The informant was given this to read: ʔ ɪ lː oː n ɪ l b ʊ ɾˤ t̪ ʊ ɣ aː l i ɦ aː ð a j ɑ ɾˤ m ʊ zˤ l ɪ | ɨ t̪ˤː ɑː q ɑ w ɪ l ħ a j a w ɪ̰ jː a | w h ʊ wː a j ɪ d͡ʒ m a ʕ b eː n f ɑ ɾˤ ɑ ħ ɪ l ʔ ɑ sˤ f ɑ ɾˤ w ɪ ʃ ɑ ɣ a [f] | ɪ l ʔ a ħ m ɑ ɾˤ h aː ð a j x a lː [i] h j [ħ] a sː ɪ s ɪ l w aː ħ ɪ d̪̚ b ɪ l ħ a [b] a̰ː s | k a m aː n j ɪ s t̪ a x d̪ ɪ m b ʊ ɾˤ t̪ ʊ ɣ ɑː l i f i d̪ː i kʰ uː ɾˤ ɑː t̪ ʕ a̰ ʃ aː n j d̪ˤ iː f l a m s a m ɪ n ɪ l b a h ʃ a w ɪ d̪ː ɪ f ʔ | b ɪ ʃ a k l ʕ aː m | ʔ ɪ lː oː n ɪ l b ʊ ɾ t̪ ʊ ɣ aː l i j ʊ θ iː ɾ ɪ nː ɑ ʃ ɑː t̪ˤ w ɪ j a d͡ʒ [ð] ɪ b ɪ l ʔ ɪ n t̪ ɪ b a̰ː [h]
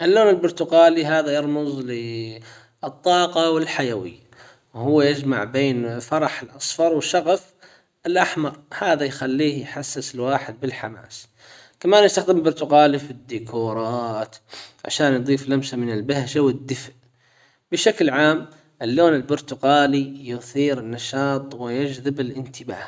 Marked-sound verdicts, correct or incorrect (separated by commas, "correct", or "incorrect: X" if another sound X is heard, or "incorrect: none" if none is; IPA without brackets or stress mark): correct, incorrect: iː, correct, incorrect: m, correct, correct